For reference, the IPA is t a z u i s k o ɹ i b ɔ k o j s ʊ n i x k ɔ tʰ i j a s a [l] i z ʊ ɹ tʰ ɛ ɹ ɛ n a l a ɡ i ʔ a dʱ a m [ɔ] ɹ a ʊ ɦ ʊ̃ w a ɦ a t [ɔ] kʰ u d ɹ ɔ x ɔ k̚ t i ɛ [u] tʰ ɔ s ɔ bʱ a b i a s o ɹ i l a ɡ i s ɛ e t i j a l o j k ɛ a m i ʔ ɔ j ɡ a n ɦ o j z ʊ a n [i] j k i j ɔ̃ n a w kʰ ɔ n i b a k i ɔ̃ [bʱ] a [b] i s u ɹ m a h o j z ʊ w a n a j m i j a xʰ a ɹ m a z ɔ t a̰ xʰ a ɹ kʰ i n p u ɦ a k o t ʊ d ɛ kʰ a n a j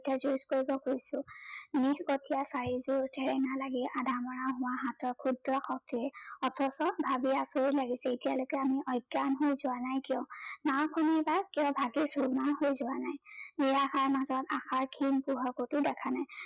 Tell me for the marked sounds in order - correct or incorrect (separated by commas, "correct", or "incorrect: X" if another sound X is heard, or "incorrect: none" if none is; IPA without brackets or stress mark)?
incorrect: ɹ, correct, correct, incorrect: ɔ, incorrect: a, correct, incorrect: ɡ